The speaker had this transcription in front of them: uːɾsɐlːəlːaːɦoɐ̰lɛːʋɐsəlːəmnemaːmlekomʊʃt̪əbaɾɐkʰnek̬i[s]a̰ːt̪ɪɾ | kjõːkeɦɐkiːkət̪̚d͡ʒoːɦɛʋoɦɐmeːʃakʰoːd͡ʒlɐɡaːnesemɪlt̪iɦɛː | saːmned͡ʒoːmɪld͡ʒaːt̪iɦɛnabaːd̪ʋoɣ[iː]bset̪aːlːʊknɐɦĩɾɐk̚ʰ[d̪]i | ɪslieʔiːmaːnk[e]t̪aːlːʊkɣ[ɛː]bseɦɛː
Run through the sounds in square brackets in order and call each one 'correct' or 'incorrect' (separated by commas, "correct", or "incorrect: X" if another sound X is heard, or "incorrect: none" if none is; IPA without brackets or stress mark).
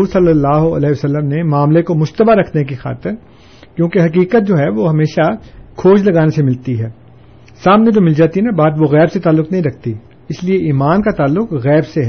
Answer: incorrect: x, incorrect: ɛː, incorrect: t̪, incorrect: a, correct